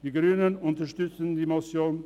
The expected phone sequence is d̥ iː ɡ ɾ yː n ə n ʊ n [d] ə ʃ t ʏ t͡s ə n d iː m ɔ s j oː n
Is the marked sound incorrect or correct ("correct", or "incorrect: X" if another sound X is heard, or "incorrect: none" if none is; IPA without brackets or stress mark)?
incorrect: t